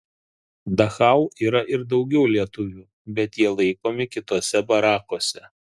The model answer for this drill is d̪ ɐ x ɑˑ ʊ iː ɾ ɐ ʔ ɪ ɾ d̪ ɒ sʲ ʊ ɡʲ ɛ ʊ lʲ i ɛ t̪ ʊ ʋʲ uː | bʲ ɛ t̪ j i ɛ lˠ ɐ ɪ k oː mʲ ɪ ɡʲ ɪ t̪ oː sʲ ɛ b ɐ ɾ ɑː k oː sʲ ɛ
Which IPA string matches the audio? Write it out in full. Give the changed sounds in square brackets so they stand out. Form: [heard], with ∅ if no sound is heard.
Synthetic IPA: d̪ ɐ x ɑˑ ʊ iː ɾ ɐ ʔ ɪ ɾ d̪ ɒ [∅] ʊ ɡʲ ɛ ʊ lʲ i ɛ t̪ ʊ ʋʲ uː | bʲ ɛ t̪ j i ɛ lˠ ɐ ɪ k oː mʲ ɪ [kʲ] ɪ t̪ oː sʲ ɛ b ɐ ɾ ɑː k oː sʲ ɛ

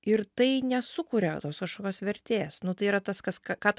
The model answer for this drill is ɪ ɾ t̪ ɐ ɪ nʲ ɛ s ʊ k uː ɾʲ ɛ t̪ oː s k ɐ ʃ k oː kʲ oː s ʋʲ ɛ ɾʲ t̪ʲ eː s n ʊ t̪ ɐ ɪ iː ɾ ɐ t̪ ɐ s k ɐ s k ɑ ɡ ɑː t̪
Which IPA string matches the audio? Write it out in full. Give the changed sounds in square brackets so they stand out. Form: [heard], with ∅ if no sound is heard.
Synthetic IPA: ɪ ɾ t̪ ɐ ɪ nʲ ɛ s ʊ k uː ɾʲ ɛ t̪ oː s k ɐ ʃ k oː kʲ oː s ʋʲ ɛ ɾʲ t̪ʲ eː s n ʊ t̪ ɐ ɪ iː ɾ ɐ t̪ ɐ s k ɐ s k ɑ [k] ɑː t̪

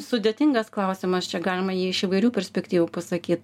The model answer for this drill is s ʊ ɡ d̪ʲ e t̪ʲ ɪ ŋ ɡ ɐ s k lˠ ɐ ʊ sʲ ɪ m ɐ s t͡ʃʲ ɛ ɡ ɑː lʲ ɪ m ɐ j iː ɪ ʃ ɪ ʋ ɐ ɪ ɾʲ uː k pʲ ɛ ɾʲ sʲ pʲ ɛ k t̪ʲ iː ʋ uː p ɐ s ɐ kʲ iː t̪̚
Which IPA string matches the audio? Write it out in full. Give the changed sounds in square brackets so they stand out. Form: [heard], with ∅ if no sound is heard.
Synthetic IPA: s ʊ [∅] d̪ʲ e t̪ʲ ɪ ŋ ɡ ɐ s k lˠ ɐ ʊ sʲ ɪ m ɐ s t͡ʃʲ ɛ ɡ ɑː lʲ ɪ m ɐ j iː ɪ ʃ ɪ ʋ ɐ ɪ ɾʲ uː [∅] pʲ ɛ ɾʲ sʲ pʲ ɛ k t̪ʲ iː ʋ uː p ɐ s ɐ kʲ iː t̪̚

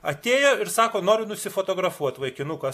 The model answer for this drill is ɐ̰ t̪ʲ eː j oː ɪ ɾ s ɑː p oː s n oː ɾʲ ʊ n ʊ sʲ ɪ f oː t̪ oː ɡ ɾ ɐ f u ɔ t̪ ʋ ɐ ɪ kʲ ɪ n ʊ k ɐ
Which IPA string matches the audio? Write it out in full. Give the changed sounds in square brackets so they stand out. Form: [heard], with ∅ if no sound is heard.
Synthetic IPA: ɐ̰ t̪ʲ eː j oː ɪ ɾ s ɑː [k] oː [∅] n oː ɾʲ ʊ n ʊ sʲ ɪ f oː t̪ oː ɡ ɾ ɐ f u ɔ t̪ ʋ ɐ ɪ kʲ ɪ n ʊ k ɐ

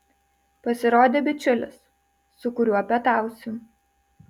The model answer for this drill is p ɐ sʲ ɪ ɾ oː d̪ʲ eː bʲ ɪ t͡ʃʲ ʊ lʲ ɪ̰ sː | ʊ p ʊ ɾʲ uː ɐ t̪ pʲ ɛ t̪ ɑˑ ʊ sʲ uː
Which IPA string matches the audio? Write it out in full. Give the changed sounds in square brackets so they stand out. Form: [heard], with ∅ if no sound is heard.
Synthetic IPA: p ɐ sʲ ɪ ɾ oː d̪ʲ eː bʲ ɪ t͡ʃʲ ʊ lʲ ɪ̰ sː | ʊ [k] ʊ ɾʲ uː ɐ [∅] pʲ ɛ t̪ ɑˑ ʊ sʲ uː

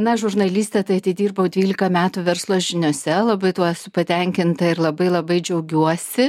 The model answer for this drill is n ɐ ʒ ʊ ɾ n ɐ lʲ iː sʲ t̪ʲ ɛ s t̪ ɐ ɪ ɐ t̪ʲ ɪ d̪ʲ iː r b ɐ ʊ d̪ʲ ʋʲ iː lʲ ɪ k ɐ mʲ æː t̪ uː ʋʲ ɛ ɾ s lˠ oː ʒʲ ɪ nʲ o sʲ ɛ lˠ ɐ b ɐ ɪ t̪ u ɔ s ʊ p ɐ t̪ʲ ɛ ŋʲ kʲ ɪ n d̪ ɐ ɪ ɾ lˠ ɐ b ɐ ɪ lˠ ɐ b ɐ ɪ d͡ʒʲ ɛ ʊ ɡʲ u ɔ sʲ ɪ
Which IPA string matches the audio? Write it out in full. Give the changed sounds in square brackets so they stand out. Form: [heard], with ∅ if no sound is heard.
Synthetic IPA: n ɐ ʒ ʊ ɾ n ɐ lʲ iː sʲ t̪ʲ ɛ [∅] t̪ ɐ ɪ ɐ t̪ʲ ɪ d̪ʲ iː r b ɐ ʊ d̪ʲ ʋʲ iː lʲ ɪ k ɐ mʲ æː t̪ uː ʋʲ ɛ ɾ s lˠ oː ʒʲ ɪ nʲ o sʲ ɛ lˠ ɐ b ɐ ɪ t̪ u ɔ s ʊ p ɐ t̪ʲ ɛ ŋʲ kʲ ɪ n [t̪] ɐ ɪ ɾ lˠ ɐ b ɐ ɪ lˠ ɐ b ɐ ɪ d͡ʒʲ ɛ ʊ ɡʲ u ɔ sʲ ɪ

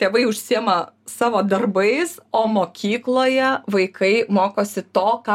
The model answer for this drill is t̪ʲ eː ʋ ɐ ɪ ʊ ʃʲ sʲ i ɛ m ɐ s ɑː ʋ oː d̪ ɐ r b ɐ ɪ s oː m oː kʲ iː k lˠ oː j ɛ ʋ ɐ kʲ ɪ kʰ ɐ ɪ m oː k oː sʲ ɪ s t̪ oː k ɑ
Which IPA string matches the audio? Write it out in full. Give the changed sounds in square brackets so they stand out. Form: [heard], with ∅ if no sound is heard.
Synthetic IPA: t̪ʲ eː ʋ ɐ ɪ ʊ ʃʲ sʲ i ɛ m ɐ s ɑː ʋ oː d̪ ɐ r b ɐ ɪ s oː m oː kʲ iː k lˠ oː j ɛ ʋ ɐ [∅] ɪ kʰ ɐ ɪ m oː k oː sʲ ɪ [∅] t̪ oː k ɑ

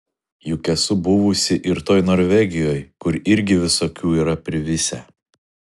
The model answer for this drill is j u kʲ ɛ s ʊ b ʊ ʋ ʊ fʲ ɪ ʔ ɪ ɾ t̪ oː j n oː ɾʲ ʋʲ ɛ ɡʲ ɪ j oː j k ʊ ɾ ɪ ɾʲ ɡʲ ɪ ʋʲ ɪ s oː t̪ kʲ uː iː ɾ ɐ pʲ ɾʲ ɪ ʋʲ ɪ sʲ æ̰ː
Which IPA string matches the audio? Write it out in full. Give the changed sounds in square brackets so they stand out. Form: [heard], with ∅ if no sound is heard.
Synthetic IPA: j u kʲ ɛ s ʊ b ʊ ʋ ʊ [sʲ] ɪ ʔ ɪ ɾ t̪ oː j n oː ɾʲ ʋʲ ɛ ɡʲ ɪ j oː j k ʊ ɾ ɪ ɾʲ ɡʲ ɪ ʋʲ ɪ s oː [∅] kʲ uː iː ɾ ɐ pʲ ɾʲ ɪ ʋʲ ɪ sʲ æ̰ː

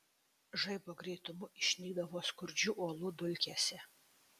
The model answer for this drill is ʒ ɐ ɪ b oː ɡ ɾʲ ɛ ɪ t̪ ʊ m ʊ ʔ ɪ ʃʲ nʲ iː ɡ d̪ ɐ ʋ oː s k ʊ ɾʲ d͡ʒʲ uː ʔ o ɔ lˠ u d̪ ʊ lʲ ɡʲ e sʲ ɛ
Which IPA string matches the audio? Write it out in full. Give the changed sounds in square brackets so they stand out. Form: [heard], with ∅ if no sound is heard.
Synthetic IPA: ʒ ɐ ɪ b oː ɡ ɾʲ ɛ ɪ t̪ ʊ m ʊ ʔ ɪ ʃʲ nʲ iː ɡ d̪ ɐ ʋ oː s k ʊ ɾʲ d͡ʒʲ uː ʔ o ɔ lˠ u d̪ ʊ lʲ [kʲ] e sʲ ɛ

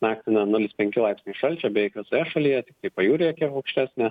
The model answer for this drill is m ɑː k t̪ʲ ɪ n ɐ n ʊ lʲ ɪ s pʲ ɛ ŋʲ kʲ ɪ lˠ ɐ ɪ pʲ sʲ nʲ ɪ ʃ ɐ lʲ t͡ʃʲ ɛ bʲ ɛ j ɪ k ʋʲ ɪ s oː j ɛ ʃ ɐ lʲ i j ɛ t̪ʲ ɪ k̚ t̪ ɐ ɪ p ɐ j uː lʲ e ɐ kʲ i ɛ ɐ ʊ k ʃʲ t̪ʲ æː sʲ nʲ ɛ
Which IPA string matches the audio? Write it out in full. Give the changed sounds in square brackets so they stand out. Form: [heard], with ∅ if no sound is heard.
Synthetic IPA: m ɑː k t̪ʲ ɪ n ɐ n ʊ lʲ ɪ s pʲ ɛ ŋʲ kʲ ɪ lˠ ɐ ɪ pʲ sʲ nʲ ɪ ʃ ɐ lʲ t͡ʃʲ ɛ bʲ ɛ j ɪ k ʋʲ ɪ s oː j ɛ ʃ ɐ lʲ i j ɛ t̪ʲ ɪ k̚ t̪ ɐ ɪ p ɐ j uː [ɾʲ] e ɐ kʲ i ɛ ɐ ʊ k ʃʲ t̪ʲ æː sʲ nʲ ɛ

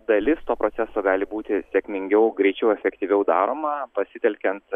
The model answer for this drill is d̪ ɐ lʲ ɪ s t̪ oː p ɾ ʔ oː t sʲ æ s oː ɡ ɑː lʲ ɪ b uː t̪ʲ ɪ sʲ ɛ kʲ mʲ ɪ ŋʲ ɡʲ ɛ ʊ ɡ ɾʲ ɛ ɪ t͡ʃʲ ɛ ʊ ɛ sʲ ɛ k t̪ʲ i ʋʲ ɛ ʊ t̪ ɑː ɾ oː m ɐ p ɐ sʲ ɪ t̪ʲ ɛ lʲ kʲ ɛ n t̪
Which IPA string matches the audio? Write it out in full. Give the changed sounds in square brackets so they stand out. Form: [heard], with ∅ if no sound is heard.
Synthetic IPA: d̪ ɐ lʲ ɪ s t̪ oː p ɾ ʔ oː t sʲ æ s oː ɡ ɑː lʲ ɪ b uː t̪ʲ ɪ sʲ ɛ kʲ mʲ ɪ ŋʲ ɡʲ ɛ ʊ ɡ ɾʲ ɛ ɪ t͡ʃʲ ɛ ʊ ɛ [fʲ] ɛ k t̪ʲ i ʋʲ ɛ ʊ [d̪] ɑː ɾ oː m ɐ p ɐ sʲ ɪ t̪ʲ ɛ lʲ kʲ ɛ n t̪

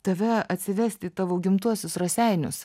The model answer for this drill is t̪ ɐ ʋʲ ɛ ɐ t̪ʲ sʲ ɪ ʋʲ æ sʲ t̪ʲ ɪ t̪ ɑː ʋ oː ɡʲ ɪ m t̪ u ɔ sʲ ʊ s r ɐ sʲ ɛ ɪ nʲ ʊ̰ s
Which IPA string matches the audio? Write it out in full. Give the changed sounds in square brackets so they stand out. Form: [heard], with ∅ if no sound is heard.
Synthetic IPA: t̪ ɐ ʋʲ ɛ ɐ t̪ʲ sʲ ɪ ʋʲ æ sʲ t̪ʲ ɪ t̪ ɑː ʋ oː ɡʲ ɪ m t̪ u ɔ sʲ ʊ s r ɐ sʲ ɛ ɪ nʲ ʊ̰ s

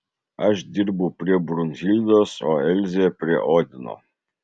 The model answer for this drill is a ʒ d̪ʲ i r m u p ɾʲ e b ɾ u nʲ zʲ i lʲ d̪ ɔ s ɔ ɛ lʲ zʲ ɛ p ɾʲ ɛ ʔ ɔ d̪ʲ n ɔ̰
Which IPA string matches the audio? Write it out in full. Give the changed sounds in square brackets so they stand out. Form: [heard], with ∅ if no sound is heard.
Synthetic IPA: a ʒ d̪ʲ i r [b] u p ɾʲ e b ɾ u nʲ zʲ i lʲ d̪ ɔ s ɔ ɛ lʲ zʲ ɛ p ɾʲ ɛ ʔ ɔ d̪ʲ n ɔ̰

